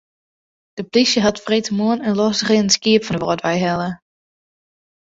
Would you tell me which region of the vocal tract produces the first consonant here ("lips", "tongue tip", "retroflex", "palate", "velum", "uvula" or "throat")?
tongue tip